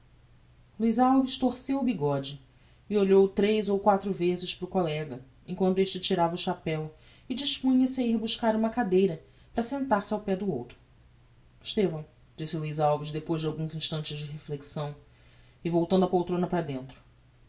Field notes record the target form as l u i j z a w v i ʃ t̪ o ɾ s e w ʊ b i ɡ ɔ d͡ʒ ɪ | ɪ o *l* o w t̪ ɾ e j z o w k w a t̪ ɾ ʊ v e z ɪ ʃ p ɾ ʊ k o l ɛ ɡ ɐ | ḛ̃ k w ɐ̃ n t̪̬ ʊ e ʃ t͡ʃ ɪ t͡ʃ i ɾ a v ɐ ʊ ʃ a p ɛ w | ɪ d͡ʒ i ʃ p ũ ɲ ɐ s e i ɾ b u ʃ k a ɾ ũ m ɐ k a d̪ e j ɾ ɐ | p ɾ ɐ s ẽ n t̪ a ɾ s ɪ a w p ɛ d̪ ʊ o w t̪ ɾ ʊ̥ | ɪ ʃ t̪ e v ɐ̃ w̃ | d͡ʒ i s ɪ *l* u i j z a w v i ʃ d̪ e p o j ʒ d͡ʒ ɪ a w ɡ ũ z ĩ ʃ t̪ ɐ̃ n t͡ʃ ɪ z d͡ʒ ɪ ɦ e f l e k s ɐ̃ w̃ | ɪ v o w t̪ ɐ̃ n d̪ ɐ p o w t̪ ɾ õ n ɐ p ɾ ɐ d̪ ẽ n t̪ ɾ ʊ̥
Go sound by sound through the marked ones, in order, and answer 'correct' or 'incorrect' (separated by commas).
incorrect, correct